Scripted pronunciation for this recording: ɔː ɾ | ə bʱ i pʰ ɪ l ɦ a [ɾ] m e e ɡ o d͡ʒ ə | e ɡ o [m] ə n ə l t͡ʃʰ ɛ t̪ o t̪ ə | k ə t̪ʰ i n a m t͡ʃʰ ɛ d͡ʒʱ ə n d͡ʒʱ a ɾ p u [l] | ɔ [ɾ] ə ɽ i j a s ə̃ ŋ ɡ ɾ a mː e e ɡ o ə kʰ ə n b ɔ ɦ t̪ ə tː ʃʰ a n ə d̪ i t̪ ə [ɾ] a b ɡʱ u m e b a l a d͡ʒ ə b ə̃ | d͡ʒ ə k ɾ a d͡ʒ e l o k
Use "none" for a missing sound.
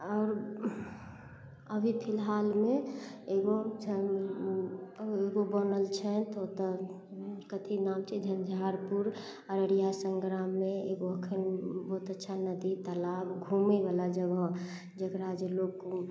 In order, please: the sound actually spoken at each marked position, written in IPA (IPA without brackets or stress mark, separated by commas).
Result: l, b, ɾ, ɾ, l